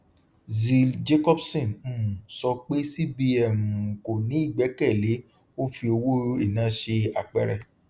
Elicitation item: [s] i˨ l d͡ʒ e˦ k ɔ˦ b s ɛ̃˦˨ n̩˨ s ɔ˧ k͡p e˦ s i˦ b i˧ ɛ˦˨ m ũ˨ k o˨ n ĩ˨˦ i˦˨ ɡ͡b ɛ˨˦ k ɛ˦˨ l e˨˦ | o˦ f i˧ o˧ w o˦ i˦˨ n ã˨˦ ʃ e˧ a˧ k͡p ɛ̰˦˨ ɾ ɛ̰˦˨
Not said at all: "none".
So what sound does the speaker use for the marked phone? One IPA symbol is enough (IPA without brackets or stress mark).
z